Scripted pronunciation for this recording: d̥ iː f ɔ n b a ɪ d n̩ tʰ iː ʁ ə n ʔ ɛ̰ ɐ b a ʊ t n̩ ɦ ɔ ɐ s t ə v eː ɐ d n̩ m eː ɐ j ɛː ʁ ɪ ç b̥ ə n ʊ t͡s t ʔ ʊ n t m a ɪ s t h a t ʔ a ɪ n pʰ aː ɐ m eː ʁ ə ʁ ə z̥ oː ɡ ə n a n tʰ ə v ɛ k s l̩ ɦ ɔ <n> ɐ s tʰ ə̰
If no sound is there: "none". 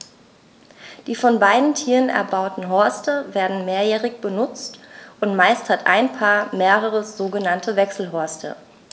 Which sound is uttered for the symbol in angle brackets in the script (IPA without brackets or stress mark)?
none